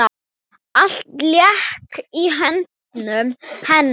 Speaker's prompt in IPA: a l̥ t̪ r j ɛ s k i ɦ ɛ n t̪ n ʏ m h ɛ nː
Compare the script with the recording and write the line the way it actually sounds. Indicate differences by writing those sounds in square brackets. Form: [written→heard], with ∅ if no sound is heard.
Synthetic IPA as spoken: a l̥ t̪ [r→l] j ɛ [s→h] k i ɦ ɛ n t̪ n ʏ m h ɛ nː